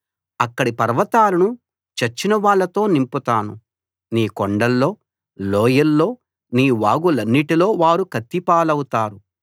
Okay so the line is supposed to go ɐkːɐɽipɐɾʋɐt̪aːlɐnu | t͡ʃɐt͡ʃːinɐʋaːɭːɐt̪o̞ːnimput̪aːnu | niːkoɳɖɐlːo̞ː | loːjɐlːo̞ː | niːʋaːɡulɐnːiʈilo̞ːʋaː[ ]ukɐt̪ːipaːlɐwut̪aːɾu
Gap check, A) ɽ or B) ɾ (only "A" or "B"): B